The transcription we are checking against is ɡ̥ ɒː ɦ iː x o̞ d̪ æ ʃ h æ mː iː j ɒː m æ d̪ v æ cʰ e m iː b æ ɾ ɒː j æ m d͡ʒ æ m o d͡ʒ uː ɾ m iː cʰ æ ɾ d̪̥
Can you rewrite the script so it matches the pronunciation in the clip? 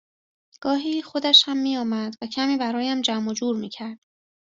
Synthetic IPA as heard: ɡ̥ ɒː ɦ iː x o̞ d̪ æ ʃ h æ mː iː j ɒː m æ d̪ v æ cʰ æ m iː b æ ɾ ɒː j æ m d͡ʒ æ m o d͡ʒ uː ɾ m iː cʰ æ ɾ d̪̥